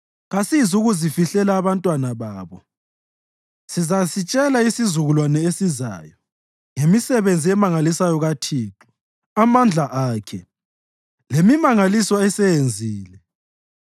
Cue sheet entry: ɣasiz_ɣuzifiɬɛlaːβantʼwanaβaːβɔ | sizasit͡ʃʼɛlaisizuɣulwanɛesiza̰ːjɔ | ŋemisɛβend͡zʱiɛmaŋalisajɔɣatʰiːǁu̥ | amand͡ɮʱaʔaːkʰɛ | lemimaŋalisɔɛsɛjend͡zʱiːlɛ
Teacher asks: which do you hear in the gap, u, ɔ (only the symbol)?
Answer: u